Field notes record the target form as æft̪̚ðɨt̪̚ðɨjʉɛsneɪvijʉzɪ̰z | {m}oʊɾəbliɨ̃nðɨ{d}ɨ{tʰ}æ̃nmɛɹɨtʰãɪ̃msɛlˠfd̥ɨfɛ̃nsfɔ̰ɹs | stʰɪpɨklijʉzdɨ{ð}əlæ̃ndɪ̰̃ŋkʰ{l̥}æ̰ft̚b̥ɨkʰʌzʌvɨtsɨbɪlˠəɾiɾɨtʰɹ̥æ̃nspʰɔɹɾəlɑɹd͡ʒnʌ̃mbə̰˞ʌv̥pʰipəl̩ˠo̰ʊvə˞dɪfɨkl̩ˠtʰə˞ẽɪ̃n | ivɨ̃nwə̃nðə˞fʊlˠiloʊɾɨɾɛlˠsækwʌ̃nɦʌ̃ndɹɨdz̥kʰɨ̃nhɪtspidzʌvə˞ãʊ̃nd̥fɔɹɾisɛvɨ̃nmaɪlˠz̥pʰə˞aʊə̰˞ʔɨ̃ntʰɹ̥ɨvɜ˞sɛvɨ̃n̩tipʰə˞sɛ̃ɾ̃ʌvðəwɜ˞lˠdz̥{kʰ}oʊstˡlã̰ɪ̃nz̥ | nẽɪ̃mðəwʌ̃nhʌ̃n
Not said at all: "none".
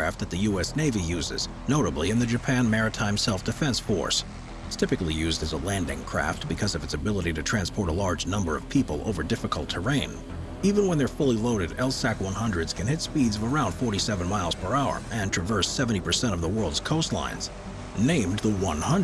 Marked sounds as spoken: n, d͡ʒ, pʰ, z, ɹ̥, kʰ

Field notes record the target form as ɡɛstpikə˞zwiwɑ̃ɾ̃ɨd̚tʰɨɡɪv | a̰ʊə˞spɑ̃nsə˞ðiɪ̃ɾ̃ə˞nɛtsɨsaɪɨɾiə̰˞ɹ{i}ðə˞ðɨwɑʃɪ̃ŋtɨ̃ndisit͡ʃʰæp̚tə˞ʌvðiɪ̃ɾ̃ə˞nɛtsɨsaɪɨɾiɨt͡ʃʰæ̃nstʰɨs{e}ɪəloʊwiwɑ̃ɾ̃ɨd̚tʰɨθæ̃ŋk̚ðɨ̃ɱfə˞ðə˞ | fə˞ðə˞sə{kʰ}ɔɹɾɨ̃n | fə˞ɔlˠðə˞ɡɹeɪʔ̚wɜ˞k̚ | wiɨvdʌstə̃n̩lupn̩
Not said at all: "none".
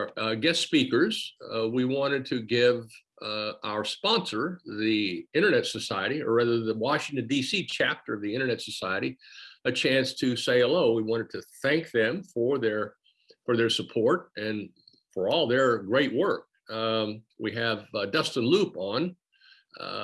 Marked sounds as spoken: æ, e, pʰ

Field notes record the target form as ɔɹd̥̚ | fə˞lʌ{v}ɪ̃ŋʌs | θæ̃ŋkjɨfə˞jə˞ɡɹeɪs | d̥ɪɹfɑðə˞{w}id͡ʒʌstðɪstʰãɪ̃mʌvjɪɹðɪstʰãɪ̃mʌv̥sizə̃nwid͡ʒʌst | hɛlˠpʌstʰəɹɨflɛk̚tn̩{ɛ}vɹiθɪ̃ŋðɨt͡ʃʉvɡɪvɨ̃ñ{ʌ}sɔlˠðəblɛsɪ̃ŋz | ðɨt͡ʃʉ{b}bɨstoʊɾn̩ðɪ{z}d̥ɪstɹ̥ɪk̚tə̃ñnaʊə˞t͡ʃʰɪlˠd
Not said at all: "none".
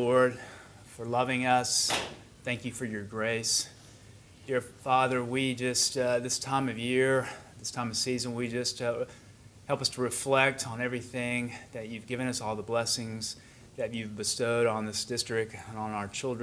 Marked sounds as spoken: v, w, ɛ, ʌ, v, s

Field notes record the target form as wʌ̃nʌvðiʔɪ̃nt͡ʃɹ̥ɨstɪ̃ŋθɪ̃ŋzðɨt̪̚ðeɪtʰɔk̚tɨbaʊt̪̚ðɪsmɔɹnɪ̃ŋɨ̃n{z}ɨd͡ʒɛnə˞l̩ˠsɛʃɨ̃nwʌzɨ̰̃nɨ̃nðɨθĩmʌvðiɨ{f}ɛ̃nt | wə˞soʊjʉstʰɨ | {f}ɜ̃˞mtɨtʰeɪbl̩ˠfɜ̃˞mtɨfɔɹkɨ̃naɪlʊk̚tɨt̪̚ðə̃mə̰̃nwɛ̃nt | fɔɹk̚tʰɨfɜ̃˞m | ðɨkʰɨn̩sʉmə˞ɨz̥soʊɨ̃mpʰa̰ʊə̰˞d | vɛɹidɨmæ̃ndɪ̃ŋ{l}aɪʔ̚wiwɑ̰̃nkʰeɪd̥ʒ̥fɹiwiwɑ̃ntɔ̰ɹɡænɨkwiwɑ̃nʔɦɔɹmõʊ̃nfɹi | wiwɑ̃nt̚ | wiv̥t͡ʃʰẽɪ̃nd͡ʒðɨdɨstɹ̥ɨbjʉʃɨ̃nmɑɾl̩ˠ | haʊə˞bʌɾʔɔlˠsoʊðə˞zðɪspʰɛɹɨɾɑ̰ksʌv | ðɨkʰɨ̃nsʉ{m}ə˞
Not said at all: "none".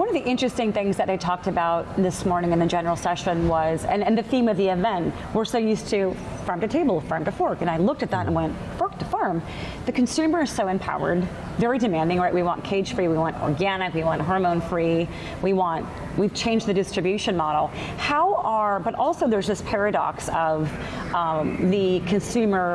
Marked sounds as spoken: ð, v, f, ɹ, m

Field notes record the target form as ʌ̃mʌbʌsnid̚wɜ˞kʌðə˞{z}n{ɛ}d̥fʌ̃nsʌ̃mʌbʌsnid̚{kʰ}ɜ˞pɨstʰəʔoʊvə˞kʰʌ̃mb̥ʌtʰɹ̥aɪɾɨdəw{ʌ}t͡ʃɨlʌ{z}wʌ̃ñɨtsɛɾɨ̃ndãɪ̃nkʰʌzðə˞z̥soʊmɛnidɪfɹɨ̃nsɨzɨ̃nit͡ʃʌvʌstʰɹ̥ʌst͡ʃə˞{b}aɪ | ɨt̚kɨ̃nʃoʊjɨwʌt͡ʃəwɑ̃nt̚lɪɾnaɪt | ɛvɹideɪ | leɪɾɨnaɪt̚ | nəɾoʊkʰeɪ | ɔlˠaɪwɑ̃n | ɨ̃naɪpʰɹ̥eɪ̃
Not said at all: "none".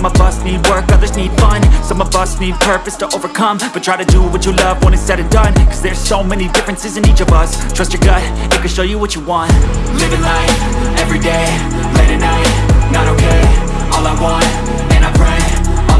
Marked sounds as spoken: z, i, pʰ, ʌ, v, ɡ

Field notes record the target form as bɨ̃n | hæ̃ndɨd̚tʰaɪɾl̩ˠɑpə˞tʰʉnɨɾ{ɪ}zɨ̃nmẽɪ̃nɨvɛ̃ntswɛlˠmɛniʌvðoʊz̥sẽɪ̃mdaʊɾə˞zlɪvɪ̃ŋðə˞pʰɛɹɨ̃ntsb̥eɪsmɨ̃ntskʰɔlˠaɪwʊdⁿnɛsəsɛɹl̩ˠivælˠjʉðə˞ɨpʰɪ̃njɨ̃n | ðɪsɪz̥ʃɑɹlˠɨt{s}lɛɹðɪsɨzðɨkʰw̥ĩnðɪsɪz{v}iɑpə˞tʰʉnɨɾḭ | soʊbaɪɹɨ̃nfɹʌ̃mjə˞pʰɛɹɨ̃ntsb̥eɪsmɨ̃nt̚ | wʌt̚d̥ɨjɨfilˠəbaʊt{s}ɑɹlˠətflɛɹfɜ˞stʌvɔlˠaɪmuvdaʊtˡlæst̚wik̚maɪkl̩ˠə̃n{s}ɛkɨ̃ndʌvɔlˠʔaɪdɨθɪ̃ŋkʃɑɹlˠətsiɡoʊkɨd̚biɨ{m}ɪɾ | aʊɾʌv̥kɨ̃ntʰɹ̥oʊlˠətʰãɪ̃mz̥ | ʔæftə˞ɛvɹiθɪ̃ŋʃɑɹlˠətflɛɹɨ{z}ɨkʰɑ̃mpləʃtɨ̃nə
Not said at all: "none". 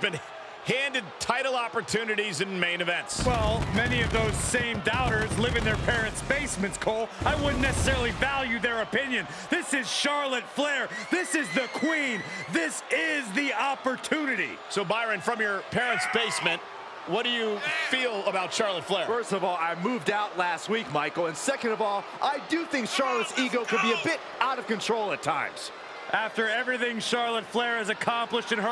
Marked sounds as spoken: i, f, ð, ʃ, s, b, z

